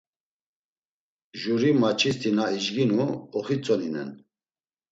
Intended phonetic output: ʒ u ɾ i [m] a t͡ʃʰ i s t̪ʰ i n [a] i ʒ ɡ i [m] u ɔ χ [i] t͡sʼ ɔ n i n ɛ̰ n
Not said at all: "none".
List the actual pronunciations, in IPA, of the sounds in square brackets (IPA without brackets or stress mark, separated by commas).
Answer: m, a, n, i